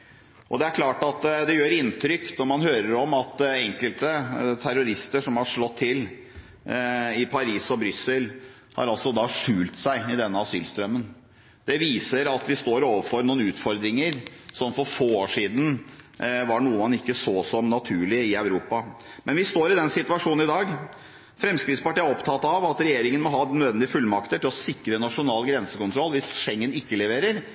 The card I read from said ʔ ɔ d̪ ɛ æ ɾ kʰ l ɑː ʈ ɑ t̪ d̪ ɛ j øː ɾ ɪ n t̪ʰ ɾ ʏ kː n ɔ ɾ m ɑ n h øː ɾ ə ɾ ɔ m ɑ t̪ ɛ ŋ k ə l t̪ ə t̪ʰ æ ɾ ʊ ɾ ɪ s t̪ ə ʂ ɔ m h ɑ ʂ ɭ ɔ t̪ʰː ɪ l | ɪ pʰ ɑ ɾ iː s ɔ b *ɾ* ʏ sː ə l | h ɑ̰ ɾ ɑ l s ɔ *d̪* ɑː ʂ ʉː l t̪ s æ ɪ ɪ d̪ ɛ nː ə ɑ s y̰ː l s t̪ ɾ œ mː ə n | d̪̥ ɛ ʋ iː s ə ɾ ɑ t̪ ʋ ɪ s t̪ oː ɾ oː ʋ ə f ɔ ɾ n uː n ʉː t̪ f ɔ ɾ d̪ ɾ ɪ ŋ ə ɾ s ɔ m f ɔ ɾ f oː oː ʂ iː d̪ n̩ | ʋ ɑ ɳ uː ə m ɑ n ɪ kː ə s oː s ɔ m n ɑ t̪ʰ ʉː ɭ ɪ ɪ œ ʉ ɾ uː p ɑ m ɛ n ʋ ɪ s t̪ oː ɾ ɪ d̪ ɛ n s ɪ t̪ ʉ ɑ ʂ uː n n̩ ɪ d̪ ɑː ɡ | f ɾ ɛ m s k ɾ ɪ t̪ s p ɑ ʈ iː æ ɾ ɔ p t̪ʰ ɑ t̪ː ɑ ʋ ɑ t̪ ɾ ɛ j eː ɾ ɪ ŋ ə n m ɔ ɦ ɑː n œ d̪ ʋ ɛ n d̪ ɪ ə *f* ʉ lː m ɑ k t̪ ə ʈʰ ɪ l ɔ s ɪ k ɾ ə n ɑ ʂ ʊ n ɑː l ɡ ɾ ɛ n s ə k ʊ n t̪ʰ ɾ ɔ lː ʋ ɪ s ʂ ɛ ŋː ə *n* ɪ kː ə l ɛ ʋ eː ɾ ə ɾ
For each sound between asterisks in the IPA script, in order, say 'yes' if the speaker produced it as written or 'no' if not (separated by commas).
yes, yes, yes, yes